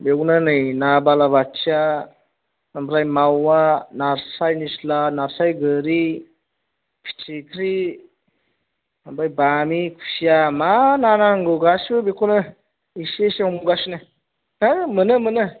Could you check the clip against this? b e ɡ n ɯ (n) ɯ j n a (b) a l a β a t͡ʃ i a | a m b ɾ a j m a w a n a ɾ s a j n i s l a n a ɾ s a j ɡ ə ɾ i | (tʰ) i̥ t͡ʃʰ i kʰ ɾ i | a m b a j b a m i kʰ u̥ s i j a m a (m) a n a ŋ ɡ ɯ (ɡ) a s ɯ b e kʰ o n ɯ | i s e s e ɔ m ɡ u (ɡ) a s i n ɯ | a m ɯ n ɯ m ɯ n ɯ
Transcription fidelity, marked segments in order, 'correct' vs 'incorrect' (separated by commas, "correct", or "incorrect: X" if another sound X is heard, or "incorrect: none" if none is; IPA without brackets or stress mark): correct, correct, incorrect: pʰ, incorrect: n, correct, correct